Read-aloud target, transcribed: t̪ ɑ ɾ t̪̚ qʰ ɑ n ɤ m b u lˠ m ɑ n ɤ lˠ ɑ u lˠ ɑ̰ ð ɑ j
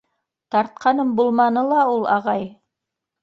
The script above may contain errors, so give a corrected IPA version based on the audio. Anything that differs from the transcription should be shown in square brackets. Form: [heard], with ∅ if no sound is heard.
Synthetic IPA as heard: t̪ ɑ ɾ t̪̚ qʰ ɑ n ɤ m b u lˠ m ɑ n ɤ lˠ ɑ u lˠ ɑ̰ [ʁ] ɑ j